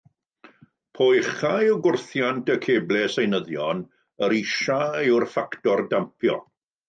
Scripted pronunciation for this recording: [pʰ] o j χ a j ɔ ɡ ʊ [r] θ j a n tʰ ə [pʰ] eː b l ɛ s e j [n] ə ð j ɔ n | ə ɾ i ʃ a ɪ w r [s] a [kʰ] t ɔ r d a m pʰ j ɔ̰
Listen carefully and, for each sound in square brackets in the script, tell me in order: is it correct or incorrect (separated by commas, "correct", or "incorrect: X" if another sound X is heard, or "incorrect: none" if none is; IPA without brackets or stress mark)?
correct, correct, incorrect: kʰ, correct, incorrect: f, incorrect: k